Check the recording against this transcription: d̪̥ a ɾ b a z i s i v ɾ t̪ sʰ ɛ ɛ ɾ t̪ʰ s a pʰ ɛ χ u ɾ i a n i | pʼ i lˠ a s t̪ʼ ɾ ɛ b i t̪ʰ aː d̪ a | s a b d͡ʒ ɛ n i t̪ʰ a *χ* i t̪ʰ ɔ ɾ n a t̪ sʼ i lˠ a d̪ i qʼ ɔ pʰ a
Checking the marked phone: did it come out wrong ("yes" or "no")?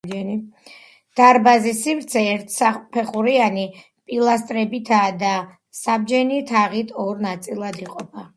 yes